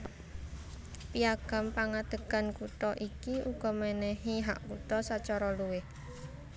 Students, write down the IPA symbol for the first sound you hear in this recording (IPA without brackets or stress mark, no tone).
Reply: p